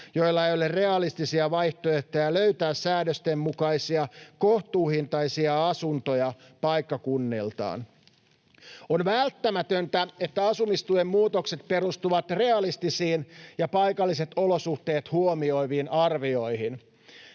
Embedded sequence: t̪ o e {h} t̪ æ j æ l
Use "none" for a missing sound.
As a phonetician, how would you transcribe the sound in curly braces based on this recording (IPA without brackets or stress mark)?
h